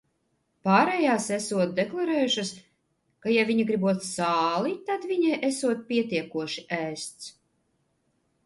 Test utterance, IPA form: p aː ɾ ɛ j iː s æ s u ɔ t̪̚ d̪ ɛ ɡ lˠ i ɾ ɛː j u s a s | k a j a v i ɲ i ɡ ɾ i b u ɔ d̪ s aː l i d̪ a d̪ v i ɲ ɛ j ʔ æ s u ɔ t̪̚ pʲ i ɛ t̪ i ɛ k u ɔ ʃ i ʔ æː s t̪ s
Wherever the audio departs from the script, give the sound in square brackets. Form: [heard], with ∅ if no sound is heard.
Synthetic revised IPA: p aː ɾ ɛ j [aː] s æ s u ɔ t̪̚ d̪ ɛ [k] lˠ [a] ɾ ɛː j u [ʃ] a s | k a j a v i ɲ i ɡ ɾ i b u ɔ [t̪] s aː l i [t̪] a d̪ v i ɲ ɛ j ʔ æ s u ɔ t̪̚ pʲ i ɛ t̪ i ɛ k u ɔ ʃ i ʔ æː s t̪ s